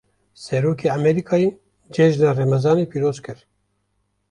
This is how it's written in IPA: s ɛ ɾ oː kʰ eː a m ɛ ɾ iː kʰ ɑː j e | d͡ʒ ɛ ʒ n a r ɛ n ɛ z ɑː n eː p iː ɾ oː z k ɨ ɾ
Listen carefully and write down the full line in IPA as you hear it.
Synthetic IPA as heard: s ɛ ɾ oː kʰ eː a m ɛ ɾ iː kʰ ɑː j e | d͡ʒ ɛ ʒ n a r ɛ m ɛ z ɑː n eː p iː ɾ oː z k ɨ ɾ